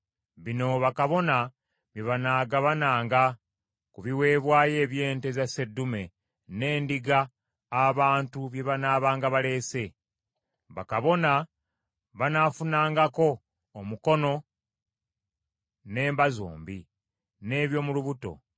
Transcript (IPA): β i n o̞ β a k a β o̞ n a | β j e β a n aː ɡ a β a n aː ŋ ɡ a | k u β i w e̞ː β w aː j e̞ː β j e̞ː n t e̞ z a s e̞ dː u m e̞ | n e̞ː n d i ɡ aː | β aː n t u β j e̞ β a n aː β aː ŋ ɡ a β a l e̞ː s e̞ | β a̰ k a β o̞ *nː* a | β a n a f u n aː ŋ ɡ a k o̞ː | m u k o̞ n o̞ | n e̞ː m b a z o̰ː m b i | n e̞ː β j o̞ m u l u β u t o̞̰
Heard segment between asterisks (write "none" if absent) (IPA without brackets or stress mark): n